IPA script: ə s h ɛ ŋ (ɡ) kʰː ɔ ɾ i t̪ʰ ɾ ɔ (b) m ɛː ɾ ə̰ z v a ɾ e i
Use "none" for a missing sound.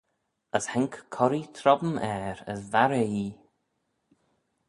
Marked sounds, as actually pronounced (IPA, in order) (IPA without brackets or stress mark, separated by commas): k, b